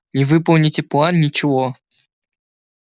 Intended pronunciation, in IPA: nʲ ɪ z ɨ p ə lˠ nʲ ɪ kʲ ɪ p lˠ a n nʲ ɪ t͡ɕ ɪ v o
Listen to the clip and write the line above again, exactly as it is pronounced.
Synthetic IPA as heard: nʲ ɪ v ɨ p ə lˠ nʲ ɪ tʲ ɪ p lˠ a n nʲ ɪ t͡ɕ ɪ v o

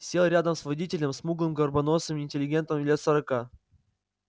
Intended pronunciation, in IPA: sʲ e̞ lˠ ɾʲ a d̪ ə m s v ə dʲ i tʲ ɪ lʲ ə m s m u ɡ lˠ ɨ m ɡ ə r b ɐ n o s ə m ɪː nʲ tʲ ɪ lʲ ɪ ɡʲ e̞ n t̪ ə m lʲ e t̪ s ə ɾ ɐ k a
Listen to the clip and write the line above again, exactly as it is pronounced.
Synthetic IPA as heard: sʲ e̞ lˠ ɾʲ a d̪ ə m s v ɐ dʲ i tʲ ɪ lʲ ə m s m u ɡ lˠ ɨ m ɡ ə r b ɐ n o s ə m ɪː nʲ tʲ ɪ lʲ ɪ ɡʲ e̞ n t̪ ə m lʲ e t̪ s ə ɾ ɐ k a

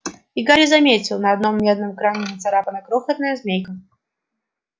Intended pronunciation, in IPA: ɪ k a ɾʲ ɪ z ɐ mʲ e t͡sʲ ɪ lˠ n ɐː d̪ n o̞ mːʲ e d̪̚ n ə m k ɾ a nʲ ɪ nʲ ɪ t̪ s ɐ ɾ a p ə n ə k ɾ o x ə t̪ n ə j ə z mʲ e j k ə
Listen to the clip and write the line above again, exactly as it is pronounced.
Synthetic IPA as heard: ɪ ɡ a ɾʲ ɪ z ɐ mʲ e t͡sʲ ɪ lˠ n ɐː d̪ n o̞ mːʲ e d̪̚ n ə m k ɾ a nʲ ɪ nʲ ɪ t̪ s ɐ ɾ a p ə n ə k ɾ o x ə t̪ n ə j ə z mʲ e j k ə

